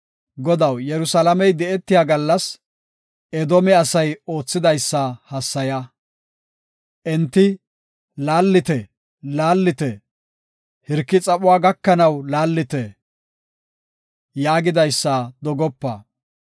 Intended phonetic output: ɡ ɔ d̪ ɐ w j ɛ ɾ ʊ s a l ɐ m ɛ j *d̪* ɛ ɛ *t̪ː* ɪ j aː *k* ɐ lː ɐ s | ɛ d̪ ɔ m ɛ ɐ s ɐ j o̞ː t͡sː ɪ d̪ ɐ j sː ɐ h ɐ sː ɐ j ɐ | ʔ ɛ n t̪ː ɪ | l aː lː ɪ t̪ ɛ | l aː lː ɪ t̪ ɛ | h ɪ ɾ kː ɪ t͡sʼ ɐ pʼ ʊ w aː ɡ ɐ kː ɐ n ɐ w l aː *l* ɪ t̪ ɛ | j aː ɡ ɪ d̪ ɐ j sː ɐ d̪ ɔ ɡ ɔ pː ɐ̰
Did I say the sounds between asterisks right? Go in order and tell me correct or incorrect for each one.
correct, correct, incorrect, incorrect

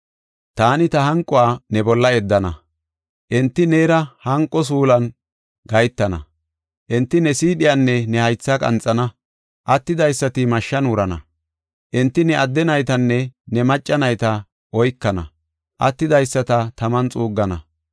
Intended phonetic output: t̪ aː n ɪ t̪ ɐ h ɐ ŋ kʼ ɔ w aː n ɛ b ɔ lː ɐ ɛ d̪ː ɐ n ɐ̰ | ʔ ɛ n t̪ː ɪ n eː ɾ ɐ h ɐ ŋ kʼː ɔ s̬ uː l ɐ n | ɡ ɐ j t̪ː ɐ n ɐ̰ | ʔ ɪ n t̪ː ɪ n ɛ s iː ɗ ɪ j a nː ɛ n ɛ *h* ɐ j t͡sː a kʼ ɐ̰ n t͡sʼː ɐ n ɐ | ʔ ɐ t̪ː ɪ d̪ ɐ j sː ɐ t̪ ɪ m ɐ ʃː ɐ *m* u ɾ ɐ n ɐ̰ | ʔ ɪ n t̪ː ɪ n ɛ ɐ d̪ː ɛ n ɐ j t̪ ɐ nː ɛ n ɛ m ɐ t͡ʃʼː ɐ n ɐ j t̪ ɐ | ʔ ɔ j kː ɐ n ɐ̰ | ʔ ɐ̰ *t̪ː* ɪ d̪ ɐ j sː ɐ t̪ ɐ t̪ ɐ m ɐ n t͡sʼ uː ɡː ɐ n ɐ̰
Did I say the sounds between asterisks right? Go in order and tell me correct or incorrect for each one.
correct, incorrect, correct

